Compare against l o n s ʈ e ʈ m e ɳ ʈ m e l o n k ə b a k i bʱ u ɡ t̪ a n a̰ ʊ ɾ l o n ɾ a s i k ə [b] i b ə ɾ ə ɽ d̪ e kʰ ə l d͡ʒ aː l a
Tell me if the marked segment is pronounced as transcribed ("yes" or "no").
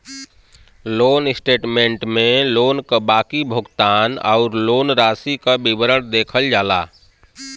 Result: yes